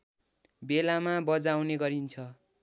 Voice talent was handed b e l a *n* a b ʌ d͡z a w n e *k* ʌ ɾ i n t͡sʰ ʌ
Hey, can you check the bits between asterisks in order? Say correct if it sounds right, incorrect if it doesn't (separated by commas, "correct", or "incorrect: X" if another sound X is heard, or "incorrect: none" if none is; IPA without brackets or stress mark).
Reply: incorrect: m, incorrect: ɡ